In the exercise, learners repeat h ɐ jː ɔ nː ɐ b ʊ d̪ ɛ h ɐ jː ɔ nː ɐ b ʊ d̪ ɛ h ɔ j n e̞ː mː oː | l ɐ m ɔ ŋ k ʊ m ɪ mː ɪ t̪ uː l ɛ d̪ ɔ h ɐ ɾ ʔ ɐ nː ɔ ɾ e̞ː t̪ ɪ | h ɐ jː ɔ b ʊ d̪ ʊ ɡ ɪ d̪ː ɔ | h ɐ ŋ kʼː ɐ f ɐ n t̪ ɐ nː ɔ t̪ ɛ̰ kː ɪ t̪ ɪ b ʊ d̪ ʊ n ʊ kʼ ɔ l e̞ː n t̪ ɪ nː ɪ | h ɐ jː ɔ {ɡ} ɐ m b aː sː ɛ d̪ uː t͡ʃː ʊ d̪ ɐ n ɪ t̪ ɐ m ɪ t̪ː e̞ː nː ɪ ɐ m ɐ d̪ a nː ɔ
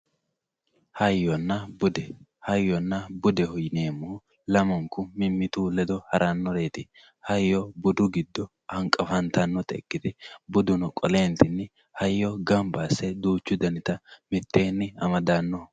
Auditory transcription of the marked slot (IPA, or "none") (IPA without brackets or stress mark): ɡ